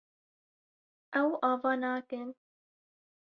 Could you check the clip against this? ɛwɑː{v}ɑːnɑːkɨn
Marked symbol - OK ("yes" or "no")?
yes